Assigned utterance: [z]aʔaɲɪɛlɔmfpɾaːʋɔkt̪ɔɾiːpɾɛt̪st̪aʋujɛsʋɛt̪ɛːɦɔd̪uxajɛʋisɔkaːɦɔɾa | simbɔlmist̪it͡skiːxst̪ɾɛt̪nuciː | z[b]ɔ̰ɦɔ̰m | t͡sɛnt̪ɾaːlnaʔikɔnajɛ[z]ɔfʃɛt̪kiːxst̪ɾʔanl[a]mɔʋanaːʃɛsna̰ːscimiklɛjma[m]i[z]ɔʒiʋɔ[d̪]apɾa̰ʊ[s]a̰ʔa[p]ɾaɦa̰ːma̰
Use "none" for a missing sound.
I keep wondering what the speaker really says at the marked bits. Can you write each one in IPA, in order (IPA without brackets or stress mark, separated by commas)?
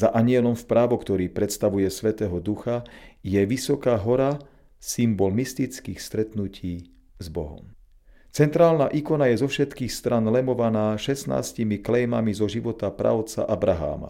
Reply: z, b, z, ɛ, m, z, t̪, t͡s, b